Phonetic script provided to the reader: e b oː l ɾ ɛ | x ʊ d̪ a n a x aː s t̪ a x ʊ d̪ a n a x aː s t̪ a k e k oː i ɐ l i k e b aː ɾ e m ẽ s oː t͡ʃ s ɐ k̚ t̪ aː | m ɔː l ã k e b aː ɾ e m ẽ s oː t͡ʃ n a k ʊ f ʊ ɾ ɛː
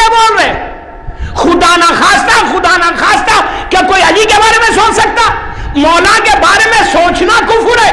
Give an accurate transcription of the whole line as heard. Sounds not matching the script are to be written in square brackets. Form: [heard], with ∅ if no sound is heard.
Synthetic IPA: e b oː l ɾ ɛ | x ʊ d̪ a n a x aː s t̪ a x ʊ d̪ a n a x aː s t̪ a k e k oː i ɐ l i k e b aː ɾ e m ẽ s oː t͡ʃ s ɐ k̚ t̪ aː | m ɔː l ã k e b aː ɾ e m ẽ s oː t͡ʃ n a k ʊ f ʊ ɾ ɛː